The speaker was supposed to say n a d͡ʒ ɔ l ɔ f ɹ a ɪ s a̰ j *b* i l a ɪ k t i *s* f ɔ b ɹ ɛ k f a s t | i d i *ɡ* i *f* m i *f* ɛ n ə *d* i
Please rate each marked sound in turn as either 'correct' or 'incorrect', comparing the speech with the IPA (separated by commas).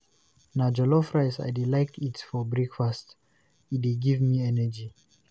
incorrect, incorrect, correct, incorrect, incorrect, incorrect